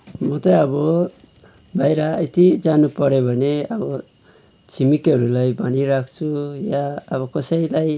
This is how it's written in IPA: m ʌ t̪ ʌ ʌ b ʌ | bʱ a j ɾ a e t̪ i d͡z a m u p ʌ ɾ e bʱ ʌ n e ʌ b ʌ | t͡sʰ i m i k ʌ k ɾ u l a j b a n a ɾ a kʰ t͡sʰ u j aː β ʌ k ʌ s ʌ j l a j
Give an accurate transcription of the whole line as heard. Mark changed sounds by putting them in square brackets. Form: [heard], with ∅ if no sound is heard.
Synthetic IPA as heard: m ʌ t̪ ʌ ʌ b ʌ | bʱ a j ɾ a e t̪ i d͡z a [n] u p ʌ ɾ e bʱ ʌ n e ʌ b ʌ | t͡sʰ i m i k ʌ [∅] ɾ u l a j b a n [i] ɾ a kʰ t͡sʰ u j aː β ʌ k ʌ s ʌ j l a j

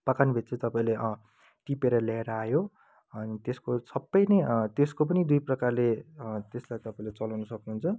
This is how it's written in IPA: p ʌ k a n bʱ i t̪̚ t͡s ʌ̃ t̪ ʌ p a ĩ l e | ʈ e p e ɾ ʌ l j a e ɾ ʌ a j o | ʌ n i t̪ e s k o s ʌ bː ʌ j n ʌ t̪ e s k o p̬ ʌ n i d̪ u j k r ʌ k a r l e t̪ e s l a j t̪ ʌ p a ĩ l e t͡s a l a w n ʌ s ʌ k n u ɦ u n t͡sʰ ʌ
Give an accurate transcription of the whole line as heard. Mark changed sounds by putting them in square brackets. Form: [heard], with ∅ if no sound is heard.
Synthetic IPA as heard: p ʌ k a n bʱ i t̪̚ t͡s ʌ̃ t̪ ʌ p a ĩ l e | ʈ [i] p e ɾ ʌ l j a e ɾ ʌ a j o | ʌ n i t̪ e s k o s ʌ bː ʌ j n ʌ t̪ e s k o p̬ ʌ n i d̪ u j [p] r ʌ k a r l e t̪ e s l a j t̪ ʌ p a ĩ l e t͡s [ʌ] l a w n ʌ s ʌ k n u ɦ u n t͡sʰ ʌ

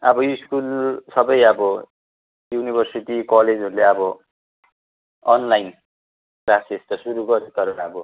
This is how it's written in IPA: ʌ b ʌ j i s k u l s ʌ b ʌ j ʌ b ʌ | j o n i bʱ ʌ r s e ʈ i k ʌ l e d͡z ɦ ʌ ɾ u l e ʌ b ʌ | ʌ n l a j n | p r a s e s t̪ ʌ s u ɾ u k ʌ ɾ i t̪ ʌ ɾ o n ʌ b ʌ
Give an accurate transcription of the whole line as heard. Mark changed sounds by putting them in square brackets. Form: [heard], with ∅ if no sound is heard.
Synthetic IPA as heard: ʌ b ʌ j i s k u l s ʌ b ʌ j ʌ b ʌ | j [u] n i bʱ ʌ r s [i] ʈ i k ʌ l e d͡z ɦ ʌ ɾ u l e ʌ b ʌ | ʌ n l a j n | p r a s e s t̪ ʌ s u ɾ u [ɡ] ʌ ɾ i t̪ ʌ ɾ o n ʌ b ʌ

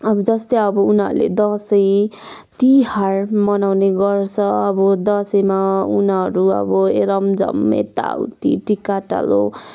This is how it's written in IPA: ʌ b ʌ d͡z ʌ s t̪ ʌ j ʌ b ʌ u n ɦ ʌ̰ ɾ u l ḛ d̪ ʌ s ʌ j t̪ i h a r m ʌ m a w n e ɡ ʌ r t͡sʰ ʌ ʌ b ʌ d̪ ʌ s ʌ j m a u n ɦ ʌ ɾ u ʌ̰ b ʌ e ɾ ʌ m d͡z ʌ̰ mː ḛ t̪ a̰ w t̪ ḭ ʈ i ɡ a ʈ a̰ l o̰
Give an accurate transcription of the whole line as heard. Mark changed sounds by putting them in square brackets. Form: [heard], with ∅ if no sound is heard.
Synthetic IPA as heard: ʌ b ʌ d͡z ʌ s t̪ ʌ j ʌ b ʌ u n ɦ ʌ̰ ɾ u l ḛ d̪ ʌ s ʌ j t̪ i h a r m ʌ [n] a w n e ɡ ʌ r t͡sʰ ʌ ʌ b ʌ d̪ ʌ s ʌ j m a u n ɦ ʌ ɾ u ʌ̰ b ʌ e ɾ ʌ m d͡z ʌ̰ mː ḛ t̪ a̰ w t̪ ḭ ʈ i [k] a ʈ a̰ l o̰

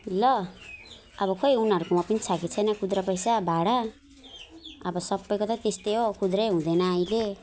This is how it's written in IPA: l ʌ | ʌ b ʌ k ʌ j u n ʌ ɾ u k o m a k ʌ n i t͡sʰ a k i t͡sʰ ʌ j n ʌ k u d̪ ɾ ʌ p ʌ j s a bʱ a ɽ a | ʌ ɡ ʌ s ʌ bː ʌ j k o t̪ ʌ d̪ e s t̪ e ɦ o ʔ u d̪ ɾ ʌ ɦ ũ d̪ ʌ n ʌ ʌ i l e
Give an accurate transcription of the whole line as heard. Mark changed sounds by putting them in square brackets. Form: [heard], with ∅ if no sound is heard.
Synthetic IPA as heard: l ʌ | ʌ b ʌ k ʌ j u n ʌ ɾ u k o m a [p] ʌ n i t͡sʰ a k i t͡sʰ ʌ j n ʌ k u d̪ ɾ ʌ p ʌ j s a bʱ a ɽ a | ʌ [b] ʌ s ʌ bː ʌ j k o t̪ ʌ [t̪] e s t̪ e ɦ o [k] u d̪ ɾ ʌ ɦ ũ d̪ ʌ n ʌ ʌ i l e

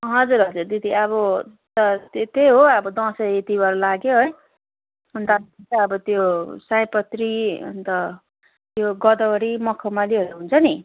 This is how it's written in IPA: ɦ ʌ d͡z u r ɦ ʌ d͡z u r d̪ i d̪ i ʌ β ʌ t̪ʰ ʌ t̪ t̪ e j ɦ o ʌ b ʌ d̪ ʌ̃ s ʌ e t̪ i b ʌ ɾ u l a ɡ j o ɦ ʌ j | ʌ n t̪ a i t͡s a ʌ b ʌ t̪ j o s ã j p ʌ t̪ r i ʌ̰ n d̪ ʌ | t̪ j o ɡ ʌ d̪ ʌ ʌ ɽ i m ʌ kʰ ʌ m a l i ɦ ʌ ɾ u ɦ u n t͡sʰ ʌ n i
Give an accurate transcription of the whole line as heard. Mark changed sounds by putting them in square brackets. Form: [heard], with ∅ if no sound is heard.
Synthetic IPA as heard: ɦ ʌ d͡z u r ɦ ʌ d͡z u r d̪ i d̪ i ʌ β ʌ [t̪] ʌ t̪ t̪ e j ɦ o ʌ b ʌ d̪ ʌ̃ s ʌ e t̪ i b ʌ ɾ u l a ɡ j o ɦ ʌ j | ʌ n t̪ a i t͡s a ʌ b ʌ t̪ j o s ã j p ʌ t̪ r i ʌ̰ n [t̪] ʌ | t̪ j o ɡ ʌ d̪ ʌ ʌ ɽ i m ʌ kʰ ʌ m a l i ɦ ʌ ɾ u ɦ u n t͡sʰ ʌ n i

